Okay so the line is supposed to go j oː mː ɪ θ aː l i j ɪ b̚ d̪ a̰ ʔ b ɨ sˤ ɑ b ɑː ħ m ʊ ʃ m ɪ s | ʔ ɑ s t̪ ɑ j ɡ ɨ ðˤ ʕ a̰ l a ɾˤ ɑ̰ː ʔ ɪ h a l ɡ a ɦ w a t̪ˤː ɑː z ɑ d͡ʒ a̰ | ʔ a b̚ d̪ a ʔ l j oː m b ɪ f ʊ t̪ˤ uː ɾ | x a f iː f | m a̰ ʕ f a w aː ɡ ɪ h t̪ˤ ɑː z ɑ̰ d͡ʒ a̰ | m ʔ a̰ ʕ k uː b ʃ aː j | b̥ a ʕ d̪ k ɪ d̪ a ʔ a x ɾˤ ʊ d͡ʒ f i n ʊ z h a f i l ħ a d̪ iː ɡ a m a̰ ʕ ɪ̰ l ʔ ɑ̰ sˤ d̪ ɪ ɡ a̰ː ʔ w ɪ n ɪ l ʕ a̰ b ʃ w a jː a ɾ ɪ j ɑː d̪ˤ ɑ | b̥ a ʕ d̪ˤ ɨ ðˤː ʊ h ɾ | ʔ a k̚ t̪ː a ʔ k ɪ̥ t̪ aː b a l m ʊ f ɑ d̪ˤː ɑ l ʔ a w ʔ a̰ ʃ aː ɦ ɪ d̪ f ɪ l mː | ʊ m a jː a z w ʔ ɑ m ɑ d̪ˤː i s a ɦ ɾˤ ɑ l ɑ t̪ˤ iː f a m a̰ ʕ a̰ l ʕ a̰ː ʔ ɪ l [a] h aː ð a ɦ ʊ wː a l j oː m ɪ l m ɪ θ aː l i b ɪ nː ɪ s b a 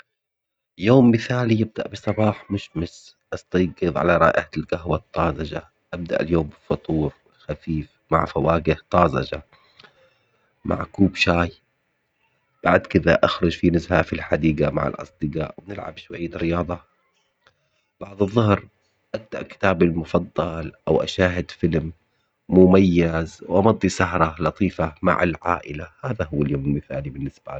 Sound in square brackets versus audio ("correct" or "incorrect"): correct